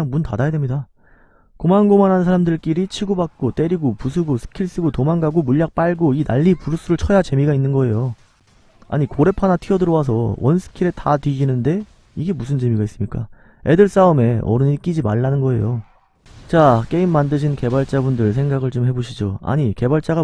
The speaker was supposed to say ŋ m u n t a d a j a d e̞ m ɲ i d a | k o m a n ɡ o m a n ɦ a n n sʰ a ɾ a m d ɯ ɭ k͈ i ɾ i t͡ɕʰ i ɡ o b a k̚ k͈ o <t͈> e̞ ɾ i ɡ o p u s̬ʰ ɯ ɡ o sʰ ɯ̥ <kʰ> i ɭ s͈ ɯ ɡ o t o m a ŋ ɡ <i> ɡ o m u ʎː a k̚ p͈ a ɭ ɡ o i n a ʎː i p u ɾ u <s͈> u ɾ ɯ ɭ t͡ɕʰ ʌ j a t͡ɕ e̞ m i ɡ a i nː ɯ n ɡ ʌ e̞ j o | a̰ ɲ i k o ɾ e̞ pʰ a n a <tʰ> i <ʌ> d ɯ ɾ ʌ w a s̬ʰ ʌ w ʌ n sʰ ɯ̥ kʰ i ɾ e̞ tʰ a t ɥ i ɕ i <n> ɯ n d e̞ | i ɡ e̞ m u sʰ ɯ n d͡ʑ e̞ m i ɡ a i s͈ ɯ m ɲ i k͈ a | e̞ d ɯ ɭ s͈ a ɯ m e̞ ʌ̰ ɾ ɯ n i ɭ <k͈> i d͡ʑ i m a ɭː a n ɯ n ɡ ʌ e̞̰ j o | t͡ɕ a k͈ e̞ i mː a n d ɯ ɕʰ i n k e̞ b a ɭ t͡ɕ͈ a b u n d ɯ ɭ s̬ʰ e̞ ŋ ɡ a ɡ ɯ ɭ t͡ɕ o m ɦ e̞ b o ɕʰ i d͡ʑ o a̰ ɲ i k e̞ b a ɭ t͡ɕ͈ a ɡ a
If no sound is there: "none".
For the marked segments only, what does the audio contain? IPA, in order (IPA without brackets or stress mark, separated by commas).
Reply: t͈, kʰ, a, s͈, tʰ, ʌ, n, k͈